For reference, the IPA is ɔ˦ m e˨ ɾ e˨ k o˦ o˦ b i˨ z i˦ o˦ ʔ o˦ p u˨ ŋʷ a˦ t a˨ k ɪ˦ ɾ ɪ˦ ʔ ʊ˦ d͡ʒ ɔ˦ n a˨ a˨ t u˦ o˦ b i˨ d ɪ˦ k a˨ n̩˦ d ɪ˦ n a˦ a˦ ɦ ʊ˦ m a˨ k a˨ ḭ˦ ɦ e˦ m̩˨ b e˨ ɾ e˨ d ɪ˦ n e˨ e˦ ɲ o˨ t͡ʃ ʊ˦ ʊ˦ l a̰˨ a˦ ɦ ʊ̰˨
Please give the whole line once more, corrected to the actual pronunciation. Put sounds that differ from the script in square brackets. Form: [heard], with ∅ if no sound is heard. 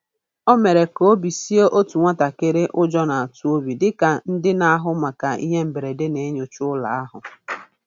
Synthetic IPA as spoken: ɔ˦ m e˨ ɾ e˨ k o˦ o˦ b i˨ [s] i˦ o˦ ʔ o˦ [t] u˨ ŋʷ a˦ t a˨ k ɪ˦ ɾ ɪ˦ ʔ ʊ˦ d͡ʒ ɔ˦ n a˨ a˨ t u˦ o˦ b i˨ d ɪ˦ k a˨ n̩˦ d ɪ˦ n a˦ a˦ ɦ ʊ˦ m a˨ k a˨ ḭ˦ ɦ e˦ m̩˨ b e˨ ɾ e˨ d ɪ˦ n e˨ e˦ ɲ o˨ t͡ʃ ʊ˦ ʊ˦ l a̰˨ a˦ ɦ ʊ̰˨